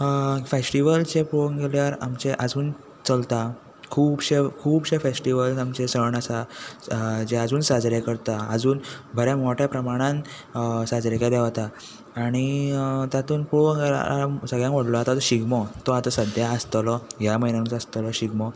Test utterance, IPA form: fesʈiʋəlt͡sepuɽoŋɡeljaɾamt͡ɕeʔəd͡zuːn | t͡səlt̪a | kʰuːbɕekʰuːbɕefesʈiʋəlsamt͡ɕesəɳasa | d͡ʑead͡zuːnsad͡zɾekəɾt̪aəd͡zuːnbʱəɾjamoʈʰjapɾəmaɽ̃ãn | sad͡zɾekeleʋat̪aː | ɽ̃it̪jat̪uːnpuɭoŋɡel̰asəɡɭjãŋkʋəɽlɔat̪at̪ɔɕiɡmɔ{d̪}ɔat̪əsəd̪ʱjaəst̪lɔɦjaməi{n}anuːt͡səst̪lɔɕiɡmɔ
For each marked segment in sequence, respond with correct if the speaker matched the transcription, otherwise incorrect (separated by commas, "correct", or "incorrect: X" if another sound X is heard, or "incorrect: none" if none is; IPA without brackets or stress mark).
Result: incorrect: t̪, correct